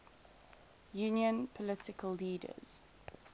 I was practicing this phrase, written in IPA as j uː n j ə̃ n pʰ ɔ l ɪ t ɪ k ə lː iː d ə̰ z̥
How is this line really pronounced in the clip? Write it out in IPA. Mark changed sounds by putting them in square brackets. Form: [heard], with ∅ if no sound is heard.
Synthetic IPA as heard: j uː n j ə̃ n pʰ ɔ l ɪ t ɪ k ə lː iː d ə̰ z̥